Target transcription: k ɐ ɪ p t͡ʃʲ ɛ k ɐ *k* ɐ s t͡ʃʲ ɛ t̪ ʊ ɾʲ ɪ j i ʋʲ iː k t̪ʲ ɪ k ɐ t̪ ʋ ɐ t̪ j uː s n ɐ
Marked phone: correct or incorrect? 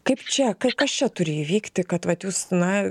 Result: correct